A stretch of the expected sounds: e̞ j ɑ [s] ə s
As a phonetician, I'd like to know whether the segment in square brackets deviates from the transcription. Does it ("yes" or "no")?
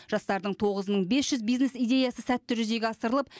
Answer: no